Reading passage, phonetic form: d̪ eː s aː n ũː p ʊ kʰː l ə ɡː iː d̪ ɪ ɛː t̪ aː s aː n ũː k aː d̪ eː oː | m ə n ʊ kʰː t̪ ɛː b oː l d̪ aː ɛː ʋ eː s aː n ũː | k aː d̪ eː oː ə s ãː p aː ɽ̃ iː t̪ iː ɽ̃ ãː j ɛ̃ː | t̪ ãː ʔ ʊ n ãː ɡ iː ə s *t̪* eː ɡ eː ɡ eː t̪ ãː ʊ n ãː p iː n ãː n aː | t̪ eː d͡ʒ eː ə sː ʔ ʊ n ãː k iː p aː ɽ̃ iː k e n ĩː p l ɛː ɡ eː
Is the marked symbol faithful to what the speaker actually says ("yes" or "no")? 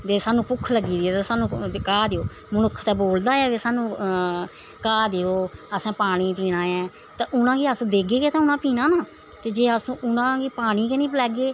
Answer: no